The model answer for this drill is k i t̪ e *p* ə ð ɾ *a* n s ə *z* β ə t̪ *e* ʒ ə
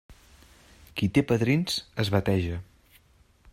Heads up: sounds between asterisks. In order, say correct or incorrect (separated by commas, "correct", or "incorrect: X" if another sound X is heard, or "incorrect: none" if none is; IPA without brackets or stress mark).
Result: correct, incorrect: i, correct, incorrect: ɛ